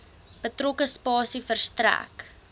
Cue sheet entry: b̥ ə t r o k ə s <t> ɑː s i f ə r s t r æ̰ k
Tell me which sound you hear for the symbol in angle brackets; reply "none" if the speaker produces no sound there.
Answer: p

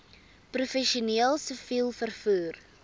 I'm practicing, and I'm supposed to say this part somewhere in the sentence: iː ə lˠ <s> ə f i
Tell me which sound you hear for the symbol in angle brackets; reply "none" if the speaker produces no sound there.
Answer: s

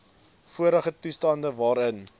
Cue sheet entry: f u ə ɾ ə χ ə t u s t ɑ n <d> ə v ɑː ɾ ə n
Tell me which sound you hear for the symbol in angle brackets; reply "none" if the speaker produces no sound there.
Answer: d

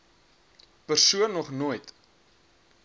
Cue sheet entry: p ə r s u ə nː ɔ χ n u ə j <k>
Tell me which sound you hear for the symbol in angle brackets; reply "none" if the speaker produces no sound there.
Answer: t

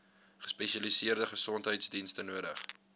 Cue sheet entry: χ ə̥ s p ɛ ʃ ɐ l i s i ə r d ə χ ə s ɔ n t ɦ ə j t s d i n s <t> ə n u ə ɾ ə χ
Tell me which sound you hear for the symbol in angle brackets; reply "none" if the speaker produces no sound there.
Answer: t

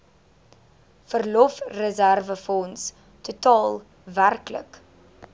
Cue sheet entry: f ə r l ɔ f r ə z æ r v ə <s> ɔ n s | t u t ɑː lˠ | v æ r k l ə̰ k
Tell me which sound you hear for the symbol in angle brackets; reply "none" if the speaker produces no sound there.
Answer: f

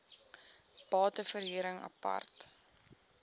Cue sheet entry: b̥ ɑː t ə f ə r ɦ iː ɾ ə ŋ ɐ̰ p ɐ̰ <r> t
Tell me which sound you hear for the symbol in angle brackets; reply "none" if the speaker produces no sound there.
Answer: r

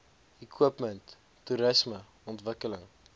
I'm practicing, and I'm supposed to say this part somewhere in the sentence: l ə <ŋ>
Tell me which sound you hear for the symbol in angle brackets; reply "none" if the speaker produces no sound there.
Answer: ŋ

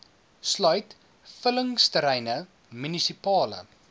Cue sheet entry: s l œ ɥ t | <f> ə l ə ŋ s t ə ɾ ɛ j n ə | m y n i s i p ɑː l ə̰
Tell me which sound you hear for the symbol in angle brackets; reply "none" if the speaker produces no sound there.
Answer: f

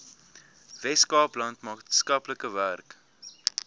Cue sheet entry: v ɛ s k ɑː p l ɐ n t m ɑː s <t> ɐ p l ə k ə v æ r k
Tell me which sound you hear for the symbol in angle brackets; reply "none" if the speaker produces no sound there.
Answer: k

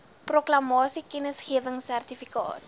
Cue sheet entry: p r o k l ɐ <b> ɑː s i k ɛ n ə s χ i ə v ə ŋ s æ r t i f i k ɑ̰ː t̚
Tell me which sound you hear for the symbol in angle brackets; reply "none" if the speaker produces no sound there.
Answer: m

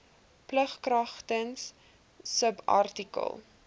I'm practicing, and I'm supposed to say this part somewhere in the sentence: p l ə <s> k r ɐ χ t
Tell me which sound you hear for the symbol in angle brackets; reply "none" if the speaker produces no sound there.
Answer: χ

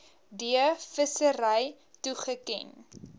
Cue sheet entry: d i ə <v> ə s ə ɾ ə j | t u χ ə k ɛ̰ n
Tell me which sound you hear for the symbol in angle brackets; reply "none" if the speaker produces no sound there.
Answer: f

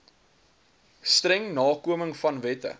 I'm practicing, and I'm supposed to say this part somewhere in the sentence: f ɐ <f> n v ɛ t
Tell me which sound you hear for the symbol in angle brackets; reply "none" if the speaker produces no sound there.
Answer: none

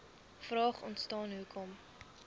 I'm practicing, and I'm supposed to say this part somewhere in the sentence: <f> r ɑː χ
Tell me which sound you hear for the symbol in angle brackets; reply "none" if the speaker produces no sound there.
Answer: f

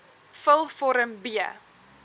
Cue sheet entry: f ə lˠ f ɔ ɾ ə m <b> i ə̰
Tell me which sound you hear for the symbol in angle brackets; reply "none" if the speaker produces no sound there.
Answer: b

